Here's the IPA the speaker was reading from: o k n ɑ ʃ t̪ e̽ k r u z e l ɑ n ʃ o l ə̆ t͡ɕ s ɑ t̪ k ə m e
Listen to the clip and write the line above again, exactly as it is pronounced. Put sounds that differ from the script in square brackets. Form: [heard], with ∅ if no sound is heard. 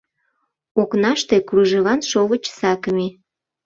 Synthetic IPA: o k n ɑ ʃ t̪ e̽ k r u [ʒ] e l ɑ n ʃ o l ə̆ t͡ɕ s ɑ [∅] k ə m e